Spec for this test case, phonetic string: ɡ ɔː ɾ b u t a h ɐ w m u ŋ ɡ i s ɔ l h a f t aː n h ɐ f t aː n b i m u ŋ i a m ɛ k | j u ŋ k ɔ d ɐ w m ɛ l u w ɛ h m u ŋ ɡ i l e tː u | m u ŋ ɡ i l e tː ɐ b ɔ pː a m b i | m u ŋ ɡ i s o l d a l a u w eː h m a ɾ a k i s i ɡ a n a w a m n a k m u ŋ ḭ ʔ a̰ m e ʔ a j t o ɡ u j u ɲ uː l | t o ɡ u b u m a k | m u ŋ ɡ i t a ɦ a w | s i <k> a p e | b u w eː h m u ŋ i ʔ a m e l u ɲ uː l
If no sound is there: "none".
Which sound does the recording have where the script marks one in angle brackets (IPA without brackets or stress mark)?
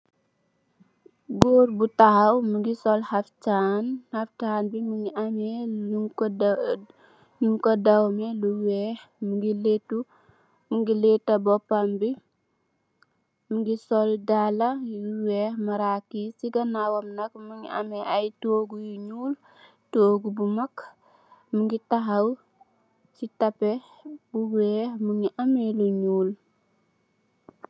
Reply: t